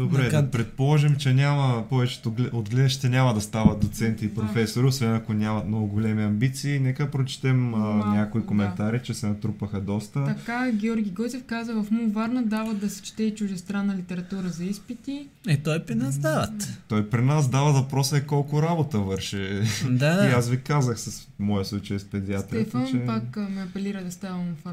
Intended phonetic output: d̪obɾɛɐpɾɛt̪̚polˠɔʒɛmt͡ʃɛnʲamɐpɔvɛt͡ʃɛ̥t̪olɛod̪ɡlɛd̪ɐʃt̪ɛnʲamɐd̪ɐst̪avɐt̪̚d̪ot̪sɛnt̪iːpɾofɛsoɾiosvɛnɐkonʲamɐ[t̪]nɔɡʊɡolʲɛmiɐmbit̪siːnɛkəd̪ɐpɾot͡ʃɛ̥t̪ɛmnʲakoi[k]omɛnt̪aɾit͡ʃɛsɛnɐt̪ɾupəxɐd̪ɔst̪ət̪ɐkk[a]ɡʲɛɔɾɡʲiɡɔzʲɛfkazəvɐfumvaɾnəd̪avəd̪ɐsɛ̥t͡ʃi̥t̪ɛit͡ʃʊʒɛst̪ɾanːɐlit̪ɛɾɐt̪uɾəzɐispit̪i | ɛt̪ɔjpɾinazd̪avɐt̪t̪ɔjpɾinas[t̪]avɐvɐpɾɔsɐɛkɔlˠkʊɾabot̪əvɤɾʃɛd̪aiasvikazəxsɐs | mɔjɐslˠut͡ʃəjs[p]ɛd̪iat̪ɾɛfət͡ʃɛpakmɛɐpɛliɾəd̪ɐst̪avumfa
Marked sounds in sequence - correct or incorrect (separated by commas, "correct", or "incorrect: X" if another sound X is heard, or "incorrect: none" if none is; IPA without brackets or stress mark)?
correct, correct, correct, incorrect: d̪, correct